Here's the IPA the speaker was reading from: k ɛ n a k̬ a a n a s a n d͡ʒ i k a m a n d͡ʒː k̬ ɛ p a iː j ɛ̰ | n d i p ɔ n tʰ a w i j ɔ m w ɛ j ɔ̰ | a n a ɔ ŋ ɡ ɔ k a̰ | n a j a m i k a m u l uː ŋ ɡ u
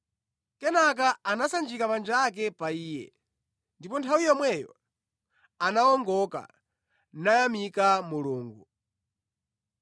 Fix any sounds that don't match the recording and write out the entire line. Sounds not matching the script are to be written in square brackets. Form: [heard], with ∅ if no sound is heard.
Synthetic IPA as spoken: k ɛ n a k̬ a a n a s a n d͡ʒ i k a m a n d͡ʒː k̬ ɛ p a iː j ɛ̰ | n d i p ɔ n tʰ a w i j ɔ m w ɛ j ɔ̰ | a n a ɔ ŋ ɡ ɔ k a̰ | n a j a m i k a m u l uː ŋ ɡ u